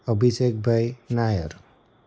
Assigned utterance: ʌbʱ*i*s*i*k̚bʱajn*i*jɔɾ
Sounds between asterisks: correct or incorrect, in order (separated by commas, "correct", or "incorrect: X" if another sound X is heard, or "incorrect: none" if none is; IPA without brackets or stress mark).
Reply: correct, incorrect: e, incorrect: a